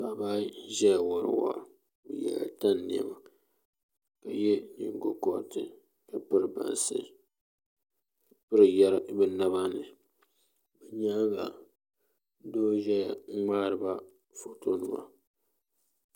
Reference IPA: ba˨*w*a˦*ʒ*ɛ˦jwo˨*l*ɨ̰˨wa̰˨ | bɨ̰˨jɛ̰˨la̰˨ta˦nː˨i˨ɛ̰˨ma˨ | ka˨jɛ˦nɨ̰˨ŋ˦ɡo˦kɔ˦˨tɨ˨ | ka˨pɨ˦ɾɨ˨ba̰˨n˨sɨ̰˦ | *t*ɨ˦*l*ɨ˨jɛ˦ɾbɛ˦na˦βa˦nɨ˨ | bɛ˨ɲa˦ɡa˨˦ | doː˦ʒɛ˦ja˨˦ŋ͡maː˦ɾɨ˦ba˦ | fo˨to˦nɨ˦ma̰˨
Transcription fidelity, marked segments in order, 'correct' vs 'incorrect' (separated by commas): incorrect, correct, incorrect, incorrect, incorrect